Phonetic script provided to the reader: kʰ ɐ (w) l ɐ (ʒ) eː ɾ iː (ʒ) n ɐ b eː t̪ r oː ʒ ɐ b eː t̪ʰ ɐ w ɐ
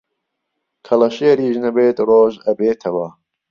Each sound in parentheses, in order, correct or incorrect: incorrect, incorrect, correct

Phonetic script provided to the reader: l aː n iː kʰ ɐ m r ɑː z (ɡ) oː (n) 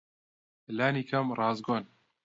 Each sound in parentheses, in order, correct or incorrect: correct, correct

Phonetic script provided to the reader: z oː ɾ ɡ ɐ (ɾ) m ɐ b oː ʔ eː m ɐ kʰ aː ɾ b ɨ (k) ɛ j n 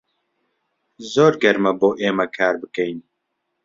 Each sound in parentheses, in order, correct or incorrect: correct, correct

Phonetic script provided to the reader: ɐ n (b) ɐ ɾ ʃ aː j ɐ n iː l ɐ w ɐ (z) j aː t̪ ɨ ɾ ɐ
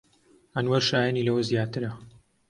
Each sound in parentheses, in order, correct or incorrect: incorrect, correct

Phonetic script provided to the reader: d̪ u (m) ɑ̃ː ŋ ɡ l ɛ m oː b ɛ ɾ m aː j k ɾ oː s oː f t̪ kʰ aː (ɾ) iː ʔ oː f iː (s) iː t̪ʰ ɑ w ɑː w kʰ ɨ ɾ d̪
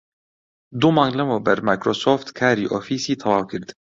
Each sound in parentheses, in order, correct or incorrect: correct, correct, correct

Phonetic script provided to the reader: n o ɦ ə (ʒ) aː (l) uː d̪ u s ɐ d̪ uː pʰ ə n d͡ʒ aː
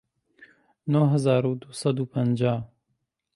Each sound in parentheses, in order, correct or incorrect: incorrect, incorrect

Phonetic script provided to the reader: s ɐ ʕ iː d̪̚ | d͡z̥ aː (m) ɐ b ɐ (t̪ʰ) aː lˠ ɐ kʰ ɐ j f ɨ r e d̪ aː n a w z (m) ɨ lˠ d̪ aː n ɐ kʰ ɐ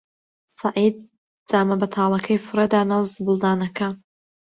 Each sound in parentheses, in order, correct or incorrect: correct, correct, incorrect

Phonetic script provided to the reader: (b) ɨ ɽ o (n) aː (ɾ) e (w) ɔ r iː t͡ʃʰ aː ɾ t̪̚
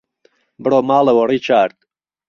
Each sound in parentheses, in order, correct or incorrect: correct, incorrect, incorrect, correct

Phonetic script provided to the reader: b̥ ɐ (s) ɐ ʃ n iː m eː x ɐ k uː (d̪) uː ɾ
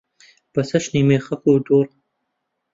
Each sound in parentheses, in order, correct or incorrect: correct, correct

